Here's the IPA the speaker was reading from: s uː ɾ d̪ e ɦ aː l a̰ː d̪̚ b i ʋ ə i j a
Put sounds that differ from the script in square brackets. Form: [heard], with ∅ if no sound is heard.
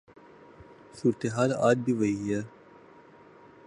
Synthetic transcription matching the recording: s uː ɾ [t̪] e ɦ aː l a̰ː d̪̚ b i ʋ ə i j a